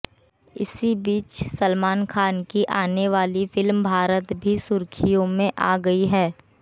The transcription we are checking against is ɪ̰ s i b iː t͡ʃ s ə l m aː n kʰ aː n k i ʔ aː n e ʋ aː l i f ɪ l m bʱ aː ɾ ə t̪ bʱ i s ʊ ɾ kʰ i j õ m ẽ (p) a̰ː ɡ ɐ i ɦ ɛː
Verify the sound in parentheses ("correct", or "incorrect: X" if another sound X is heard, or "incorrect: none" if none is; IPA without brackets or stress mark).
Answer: incorrect: ʔ